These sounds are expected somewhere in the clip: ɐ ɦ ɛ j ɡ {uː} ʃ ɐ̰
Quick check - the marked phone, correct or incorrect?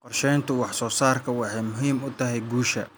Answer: correct